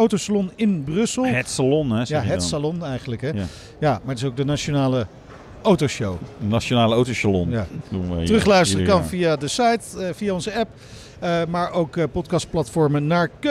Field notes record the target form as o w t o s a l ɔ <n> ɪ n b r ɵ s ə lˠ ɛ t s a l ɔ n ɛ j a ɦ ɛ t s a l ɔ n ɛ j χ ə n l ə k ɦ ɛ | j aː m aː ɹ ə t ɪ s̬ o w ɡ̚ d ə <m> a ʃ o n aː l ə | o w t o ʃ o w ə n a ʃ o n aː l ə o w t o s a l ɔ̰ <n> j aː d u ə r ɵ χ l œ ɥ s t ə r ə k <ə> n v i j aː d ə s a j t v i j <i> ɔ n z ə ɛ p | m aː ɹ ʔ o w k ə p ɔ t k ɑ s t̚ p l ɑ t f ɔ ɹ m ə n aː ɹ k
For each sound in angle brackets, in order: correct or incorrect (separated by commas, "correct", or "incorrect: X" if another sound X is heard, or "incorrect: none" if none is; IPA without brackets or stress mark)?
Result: correct, incorrect: n, correct, incorrect: ɑ, incorrect: a